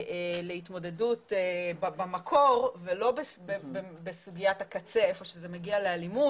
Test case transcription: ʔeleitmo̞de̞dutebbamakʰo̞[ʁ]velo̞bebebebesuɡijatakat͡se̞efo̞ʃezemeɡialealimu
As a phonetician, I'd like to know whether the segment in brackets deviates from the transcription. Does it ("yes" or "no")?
no